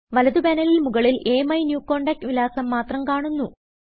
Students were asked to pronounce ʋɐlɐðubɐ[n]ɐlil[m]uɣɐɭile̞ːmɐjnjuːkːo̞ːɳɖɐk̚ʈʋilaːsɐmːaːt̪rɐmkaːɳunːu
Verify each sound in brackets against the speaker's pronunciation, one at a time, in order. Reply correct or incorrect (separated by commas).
correct, correct